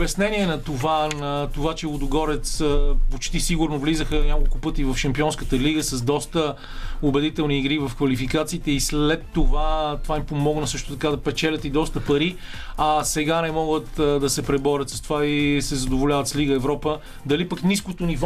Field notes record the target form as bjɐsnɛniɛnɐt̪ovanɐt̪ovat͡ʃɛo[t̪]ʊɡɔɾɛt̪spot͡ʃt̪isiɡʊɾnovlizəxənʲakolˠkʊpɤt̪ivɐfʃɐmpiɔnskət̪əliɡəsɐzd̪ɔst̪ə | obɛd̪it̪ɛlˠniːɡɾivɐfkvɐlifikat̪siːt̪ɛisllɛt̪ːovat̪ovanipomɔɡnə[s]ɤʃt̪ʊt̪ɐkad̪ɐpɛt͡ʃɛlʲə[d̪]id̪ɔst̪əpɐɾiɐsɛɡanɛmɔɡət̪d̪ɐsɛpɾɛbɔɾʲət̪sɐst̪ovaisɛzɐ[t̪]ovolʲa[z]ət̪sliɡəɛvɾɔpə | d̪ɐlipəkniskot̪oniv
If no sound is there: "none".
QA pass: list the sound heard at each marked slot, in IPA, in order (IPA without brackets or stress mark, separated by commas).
d̪, s, t̪, d̪, v